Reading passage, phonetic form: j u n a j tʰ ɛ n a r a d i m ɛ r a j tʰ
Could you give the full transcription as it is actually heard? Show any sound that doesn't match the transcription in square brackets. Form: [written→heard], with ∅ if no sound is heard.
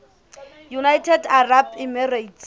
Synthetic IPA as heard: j u n a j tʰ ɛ [n→d] a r a [d→b] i m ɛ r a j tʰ